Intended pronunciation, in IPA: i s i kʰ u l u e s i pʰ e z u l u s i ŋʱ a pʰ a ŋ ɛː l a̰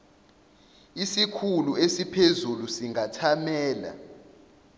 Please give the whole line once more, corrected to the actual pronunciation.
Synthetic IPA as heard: i s i kʰ u l u e s i pʰ e z u l u s i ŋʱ a tʰ a m ɛː l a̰